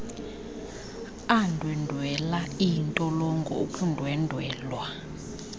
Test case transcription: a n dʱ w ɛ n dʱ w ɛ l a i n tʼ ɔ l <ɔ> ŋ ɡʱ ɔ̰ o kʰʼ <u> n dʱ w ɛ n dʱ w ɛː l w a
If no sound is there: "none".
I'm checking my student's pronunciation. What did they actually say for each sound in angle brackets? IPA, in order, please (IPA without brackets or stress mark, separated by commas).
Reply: ɔ, u